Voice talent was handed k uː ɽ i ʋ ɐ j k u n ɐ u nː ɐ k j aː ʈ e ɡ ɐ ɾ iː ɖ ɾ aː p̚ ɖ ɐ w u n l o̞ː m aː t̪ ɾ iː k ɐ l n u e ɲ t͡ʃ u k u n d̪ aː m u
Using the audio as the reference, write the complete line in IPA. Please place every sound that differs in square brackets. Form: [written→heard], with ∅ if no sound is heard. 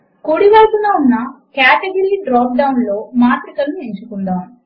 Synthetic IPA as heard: k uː ɽ i ʋ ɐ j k u n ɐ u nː ɐ k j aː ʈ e ɡ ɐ ɾ iː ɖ ɾ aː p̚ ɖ ɐ w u n l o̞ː m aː t̪ ɾ [iː→i] k ɐ l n u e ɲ t͡ʃ u k u n d̪ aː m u